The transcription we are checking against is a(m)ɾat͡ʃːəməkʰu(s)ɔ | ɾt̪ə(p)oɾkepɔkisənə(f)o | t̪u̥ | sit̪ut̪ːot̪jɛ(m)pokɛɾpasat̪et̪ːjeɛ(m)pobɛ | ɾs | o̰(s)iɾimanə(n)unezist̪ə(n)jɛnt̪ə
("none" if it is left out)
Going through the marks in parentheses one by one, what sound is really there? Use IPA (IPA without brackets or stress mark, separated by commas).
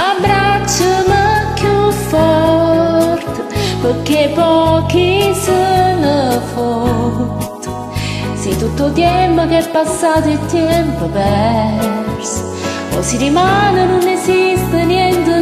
b, f, p, f, m, m, s, n, n